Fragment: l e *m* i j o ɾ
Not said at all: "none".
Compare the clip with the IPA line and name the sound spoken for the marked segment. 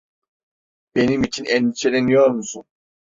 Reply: n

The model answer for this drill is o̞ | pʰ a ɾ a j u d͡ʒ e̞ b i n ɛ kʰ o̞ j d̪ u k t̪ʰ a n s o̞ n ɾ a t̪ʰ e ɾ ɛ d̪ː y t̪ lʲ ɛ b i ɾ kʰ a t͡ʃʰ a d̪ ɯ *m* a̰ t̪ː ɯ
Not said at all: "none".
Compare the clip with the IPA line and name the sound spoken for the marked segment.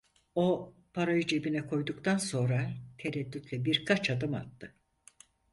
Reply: m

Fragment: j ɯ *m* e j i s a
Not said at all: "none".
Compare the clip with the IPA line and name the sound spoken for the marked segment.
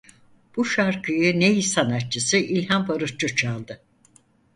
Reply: n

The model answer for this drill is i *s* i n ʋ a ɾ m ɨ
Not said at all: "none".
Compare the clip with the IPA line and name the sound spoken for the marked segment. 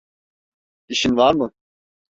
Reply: ʃ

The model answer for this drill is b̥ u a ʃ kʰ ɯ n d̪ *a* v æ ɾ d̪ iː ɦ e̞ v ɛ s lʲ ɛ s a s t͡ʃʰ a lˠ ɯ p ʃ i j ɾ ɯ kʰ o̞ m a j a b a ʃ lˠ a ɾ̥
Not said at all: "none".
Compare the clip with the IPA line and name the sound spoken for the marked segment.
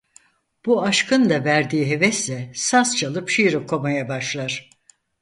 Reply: a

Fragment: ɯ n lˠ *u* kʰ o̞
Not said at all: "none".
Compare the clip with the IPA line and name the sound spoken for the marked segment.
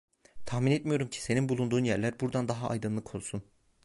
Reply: ɯ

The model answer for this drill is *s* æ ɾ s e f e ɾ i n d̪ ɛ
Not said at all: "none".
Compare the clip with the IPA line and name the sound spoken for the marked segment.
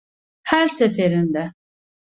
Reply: h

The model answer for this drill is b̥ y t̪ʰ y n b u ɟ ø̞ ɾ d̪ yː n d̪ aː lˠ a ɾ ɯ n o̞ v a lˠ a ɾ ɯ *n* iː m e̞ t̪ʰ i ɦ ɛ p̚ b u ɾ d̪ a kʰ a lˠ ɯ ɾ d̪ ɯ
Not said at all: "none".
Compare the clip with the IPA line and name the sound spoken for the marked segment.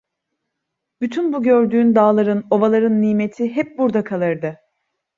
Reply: nː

